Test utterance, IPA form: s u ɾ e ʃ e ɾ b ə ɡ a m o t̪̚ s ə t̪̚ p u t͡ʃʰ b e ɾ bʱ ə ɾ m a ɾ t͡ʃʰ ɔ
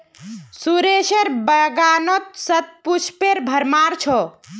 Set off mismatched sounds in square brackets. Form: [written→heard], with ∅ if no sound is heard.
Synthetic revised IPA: s u ɾ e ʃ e ɾ b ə ɡ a [m→n] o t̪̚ s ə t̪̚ p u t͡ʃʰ [b→p] e ɾ bʱ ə ɾ m a ɾ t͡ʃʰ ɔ